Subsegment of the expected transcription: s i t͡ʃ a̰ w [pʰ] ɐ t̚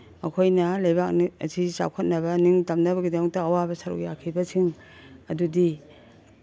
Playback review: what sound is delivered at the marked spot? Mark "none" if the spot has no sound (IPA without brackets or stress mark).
kʰ